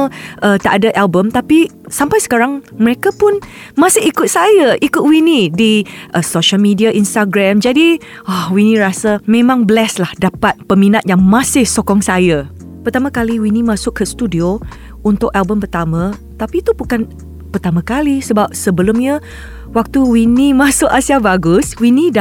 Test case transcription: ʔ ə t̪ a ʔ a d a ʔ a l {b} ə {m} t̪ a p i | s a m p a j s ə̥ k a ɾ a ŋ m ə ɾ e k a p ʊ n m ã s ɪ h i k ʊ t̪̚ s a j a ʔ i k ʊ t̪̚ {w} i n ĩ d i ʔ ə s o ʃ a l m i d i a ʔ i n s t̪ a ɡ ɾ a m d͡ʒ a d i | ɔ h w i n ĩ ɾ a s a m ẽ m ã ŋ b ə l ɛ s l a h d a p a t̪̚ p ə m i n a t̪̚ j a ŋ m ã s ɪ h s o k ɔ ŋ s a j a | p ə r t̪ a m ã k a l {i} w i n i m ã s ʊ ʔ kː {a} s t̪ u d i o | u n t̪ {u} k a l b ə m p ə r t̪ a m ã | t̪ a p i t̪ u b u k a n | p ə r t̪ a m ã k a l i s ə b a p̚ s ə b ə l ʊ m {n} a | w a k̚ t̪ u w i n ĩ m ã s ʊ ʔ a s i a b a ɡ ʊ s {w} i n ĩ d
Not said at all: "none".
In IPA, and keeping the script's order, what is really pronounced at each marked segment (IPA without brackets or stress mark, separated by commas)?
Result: b, m, w, i, ə, ʊ, ɲ, w